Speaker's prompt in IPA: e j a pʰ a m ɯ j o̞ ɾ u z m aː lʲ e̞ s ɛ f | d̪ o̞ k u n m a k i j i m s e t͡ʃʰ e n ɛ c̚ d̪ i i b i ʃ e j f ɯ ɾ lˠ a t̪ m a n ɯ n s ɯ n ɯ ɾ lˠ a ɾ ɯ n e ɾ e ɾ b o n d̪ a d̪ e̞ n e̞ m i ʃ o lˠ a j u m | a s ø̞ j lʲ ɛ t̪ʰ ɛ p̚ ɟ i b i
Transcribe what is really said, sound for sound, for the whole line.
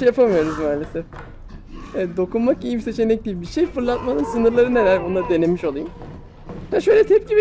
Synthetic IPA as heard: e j a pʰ a m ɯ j o̞ ɾ u z m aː lʲ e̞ s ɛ f | d̪ o̞ k u n m a k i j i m s e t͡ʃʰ e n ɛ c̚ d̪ i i b i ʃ e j f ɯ ɾ lˠ a t̪ m a n ɯ n s ɯ n ɯ ɾ lˠ a ɾ ɯ n e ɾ æ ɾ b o n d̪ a d̪ e̞ n e̞ m i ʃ o lˠ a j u m | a ʃ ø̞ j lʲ ɛ t̪ʰ ɛ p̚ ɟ i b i